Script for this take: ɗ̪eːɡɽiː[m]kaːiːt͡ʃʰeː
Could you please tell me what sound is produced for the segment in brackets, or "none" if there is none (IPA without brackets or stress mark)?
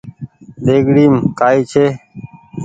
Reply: m